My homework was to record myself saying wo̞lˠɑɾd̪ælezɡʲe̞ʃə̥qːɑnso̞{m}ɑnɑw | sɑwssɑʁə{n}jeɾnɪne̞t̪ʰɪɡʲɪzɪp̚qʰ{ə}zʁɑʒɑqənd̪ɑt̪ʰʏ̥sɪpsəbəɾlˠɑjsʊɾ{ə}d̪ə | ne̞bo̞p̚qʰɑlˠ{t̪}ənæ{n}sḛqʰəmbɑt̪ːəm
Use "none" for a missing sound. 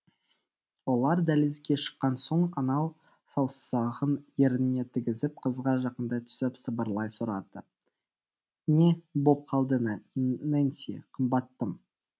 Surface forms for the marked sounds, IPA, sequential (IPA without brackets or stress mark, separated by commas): ɴ, n, ə, ɑ, d̪, n